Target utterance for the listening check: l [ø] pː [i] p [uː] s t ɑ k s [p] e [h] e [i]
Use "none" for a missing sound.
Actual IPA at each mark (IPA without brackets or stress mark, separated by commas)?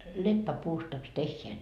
e, æ, uː, t, hː, æ